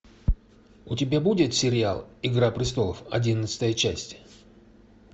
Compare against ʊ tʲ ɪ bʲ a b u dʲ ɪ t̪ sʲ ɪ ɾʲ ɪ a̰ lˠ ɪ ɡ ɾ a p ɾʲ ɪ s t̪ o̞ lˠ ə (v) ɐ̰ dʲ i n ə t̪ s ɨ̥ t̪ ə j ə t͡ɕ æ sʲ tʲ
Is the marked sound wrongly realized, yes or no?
yes